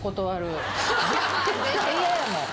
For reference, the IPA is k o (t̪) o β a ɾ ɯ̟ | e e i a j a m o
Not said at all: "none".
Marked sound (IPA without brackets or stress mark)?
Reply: t̪